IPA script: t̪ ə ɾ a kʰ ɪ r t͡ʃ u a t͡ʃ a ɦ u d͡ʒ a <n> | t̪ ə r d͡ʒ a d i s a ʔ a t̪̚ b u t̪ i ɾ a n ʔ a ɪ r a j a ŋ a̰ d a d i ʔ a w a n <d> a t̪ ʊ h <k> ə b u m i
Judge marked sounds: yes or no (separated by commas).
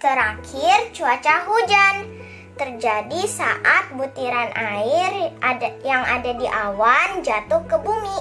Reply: yes, no, yes